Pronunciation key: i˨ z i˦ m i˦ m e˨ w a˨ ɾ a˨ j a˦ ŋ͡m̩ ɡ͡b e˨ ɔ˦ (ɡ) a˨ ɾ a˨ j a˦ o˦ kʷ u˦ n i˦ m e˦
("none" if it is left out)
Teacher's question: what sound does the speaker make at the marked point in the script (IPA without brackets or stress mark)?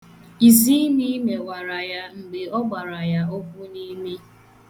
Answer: ɡ͡b